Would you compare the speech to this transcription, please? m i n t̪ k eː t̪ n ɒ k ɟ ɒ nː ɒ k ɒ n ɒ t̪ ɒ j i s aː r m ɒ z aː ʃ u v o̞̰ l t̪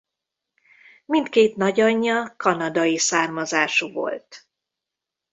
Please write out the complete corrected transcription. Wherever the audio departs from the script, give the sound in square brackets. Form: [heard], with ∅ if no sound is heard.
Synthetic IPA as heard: m i n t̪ k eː t̪ n ɒ [∅] ɟ ɒ [ɲː] ɒ k ɒ n ɒ [d̪] ɒ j i s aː r m ɒ z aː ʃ u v o̞̰ l t̪